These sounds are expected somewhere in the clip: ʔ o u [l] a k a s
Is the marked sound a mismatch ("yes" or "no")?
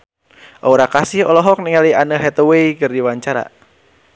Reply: yes